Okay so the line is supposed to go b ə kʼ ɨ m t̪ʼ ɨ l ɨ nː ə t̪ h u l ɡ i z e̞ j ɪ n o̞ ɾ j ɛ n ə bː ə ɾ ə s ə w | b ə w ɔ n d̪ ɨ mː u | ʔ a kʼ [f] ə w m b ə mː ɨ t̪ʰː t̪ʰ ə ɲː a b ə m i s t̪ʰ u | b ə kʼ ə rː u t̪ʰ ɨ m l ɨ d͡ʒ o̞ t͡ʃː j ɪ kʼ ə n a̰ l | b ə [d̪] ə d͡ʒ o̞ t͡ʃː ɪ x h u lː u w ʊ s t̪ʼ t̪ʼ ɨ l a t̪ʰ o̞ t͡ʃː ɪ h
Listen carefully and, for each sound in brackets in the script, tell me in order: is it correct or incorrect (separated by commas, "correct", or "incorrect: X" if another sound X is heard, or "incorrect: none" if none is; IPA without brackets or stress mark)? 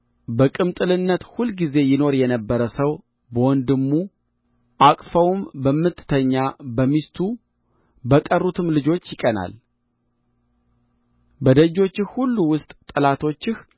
correct, correct